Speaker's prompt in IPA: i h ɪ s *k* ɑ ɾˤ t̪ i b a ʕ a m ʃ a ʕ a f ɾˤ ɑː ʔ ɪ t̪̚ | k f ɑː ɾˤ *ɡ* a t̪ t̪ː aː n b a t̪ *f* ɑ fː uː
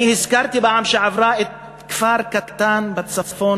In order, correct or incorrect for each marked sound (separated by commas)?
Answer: correct, incorrect, incorrect